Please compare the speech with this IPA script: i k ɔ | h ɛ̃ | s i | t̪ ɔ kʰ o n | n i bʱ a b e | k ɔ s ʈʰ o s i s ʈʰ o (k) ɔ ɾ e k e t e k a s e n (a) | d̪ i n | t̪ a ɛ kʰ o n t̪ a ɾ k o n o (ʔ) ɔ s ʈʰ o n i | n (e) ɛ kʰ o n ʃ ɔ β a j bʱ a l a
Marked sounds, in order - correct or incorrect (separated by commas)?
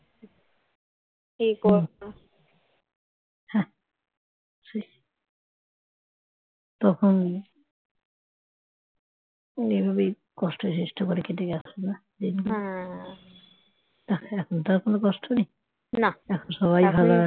correct, correct, incorrect, incorrect